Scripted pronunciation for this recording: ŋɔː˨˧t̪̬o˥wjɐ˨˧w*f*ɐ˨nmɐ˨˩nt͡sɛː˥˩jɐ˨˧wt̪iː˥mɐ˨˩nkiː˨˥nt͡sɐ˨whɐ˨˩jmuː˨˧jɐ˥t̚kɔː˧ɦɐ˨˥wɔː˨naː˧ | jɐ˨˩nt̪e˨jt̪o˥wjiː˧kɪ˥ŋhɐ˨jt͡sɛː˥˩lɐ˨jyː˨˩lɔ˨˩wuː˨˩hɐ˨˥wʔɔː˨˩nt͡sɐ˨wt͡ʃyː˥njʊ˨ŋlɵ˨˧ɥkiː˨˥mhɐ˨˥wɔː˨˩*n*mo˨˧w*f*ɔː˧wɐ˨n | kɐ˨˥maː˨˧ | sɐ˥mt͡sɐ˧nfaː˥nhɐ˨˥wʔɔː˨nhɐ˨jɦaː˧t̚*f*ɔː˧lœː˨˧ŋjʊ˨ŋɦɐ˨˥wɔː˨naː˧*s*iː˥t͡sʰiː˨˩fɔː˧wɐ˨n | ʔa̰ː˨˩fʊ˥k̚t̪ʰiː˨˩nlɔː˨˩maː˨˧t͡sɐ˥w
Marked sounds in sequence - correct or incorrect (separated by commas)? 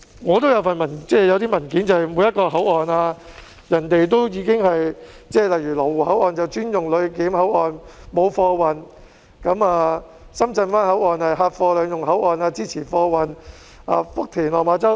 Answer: correct, correct, correct, correct, incorrect